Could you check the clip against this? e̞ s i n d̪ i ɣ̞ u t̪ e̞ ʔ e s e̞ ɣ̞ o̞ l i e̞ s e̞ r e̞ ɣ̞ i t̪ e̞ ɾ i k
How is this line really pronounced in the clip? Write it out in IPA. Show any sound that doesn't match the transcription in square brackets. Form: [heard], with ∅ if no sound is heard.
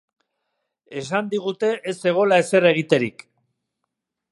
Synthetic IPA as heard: e̞ s [a] n d̪ i ɣ̞ u t̪ e̞ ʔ e s e̞ ɣ̞ o̞ l [a] e̞ s e̞ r e̞ ɣ̞ i t̪ e̞ ɾ i k